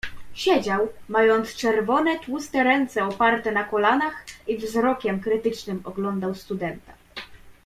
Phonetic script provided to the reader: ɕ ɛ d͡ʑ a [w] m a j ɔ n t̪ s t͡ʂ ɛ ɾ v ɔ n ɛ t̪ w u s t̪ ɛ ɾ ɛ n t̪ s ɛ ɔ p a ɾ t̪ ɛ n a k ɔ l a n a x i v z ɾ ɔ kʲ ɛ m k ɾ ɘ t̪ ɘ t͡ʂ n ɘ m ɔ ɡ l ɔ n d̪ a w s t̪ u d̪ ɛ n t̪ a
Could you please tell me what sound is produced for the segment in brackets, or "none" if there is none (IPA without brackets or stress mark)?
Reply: w